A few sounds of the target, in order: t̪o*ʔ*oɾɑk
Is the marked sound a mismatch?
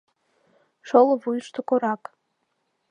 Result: yes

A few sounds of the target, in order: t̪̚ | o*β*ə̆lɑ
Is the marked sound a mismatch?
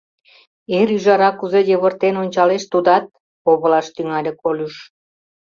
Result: no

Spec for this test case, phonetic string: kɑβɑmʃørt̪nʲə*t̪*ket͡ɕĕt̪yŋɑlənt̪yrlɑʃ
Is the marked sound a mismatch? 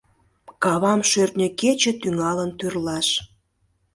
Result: yes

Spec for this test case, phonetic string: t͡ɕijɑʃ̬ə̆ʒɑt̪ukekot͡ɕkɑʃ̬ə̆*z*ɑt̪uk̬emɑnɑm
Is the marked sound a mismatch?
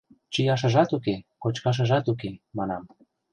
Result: yes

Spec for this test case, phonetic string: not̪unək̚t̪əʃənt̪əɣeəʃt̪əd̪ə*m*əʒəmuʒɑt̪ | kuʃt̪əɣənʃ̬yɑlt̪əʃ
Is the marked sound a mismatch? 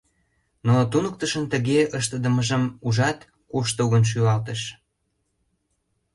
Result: no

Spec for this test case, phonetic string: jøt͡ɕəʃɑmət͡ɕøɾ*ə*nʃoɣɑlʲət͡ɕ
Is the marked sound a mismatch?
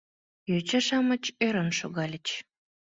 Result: no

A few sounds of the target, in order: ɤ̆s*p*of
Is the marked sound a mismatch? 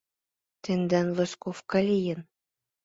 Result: yes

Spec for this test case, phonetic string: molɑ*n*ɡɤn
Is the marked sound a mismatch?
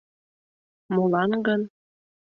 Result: no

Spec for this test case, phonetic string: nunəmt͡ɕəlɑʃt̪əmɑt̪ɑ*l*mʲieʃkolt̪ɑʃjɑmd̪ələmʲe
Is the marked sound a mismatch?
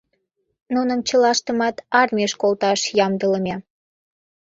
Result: yes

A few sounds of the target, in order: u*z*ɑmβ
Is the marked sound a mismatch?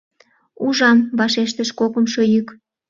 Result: yes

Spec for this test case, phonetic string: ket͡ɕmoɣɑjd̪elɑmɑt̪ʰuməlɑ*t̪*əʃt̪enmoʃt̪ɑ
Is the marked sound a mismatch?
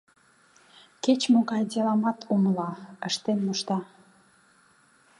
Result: yes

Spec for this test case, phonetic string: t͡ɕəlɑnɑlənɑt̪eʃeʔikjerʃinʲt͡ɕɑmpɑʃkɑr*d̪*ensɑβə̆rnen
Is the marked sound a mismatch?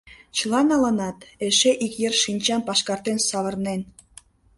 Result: yes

